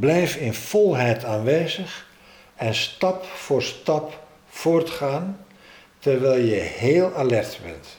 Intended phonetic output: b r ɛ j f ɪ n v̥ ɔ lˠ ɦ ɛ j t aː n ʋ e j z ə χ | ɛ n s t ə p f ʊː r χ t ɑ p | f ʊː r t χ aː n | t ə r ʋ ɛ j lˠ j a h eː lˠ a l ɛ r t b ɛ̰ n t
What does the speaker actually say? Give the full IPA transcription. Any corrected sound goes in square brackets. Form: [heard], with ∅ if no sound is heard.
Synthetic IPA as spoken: b [l] ɛ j f ɪ n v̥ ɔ lˠ ɦ ɛ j t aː n ʋ e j z ə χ | ɛ n s t [ɑ] p f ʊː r [s] t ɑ p | f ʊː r t χ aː n | t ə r ʋ ɛ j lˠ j [ə] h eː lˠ a l ɛ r t b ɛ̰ n t